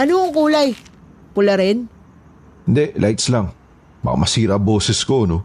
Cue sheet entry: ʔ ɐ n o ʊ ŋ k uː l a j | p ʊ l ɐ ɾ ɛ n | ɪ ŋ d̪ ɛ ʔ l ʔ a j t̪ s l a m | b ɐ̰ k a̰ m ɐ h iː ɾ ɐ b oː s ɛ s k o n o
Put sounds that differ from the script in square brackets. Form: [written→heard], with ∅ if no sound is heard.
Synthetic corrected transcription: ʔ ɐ n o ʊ ŋ k uː l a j | p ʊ l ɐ ɾ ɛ n | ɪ [ŋ→n] d̪ ɛ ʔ l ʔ a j t̪ s l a [m→ŋ] | b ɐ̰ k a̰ m ɐ [h→s] iː ɾ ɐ b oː s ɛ s k o n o